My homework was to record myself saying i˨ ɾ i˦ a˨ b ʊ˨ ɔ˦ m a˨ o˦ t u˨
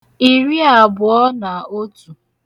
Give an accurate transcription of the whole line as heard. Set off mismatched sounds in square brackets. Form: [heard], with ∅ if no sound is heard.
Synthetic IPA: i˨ ɾ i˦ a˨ b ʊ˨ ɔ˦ [n] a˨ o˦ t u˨

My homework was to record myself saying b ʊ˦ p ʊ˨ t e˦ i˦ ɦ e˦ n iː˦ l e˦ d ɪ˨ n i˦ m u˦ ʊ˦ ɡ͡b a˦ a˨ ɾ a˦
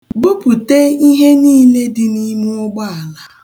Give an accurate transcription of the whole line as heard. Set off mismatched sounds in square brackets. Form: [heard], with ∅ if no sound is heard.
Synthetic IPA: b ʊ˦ p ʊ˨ t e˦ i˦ ɦ e˦ n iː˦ l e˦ d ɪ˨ n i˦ m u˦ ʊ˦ ɡ͡b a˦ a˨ [l] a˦

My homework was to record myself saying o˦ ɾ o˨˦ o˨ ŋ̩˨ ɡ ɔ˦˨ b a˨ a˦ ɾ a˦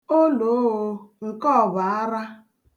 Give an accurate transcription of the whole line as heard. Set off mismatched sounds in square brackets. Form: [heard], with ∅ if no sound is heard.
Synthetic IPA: o˦ [l] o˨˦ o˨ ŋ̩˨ [k] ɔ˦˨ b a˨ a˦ ɾ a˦

